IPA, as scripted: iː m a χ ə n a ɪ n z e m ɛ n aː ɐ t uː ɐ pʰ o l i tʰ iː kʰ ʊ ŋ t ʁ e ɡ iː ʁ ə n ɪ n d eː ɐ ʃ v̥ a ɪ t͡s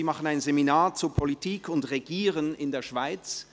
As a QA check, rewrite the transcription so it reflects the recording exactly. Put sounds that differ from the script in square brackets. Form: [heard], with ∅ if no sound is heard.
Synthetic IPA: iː m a χ ə n a ɪ n z e m [i] n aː ɐ [t͡s] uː ɐ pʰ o l i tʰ iː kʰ ʊ [n] t ʁ e ɡ iː ʁ ə n ɪ n d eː ɐ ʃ v̥ a ɪ t͡s